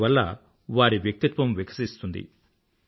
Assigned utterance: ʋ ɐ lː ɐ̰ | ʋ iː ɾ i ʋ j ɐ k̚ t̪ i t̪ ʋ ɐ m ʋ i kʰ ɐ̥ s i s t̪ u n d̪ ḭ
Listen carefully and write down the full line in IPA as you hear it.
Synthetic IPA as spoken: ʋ ɐ lː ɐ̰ | ʋ aː ɾ i ʋ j ɐ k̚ t̪ i t̪ ʋ ɐ m ʋ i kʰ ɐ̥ s i s t̪ u n d̪ ḭ